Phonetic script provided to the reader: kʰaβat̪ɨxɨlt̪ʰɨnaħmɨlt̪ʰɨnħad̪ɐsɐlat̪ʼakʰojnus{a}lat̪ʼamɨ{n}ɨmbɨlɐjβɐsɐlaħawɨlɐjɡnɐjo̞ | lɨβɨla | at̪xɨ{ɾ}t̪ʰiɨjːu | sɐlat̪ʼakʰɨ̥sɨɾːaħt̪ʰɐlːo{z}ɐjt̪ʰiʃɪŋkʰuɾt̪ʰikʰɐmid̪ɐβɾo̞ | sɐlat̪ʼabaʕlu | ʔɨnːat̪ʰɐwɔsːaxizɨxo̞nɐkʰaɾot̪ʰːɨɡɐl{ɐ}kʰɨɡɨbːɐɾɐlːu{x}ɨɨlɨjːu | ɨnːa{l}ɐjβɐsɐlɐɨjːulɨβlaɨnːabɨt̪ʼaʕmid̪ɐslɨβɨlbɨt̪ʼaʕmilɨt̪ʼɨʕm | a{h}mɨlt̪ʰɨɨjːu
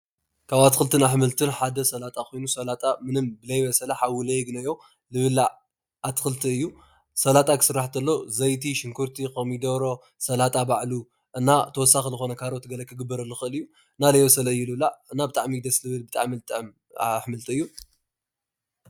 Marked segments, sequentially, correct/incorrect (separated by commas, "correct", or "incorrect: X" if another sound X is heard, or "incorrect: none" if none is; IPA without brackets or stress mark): incorrect: ɐ, correct, incorrect: l, correct, correct, correct, correct, incorrect: ħ